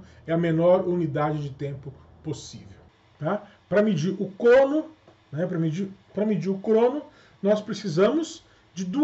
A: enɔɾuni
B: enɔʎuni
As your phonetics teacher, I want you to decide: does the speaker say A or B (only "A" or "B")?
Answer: A